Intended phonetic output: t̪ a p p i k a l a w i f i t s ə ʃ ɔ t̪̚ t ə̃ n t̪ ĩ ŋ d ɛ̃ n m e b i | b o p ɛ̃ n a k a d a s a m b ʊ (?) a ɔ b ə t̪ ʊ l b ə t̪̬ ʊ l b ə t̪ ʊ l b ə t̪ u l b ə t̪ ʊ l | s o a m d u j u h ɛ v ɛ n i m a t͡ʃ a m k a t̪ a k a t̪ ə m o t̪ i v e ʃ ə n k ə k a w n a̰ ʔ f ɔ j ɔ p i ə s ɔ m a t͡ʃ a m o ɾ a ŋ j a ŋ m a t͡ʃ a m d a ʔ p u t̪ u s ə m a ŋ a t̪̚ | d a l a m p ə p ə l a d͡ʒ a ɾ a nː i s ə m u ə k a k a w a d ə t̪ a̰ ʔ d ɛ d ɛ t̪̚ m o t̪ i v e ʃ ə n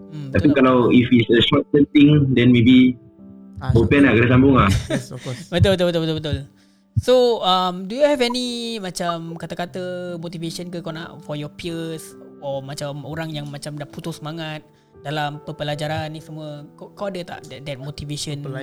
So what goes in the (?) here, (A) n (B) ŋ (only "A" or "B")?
B